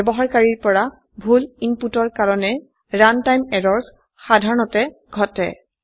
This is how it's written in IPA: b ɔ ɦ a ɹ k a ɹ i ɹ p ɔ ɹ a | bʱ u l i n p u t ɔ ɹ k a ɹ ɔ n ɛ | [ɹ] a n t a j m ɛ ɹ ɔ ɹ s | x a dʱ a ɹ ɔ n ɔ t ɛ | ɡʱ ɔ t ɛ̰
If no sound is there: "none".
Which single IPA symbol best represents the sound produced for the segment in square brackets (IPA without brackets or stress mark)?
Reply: ɹ